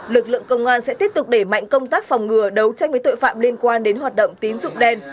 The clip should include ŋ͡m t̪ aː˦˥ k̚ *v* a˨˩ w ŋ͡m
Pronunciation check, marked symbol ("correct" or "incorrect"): incorrect